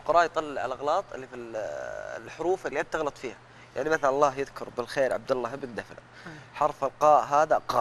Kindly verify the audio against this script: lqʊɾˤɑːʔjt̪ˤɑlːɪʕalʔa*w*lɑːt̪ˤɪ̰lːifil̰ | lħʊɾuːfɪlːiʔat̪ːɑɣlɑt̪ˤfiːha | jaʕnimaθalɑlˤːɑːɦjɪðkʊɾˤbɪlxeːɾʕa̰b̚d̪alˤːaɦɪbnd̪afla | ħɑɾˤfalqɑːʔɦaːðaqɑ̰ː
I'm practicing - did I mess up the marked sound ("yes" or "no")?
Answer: yes